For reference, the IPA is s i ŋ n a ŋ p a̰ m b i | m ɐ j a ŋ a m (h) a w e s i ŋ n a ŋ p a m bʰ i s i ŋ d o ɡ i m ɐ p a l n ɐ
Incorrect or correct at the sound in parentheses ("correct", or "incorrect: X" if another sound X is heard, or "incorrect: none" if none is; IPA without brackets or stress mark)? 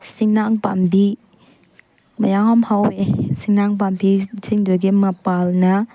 correct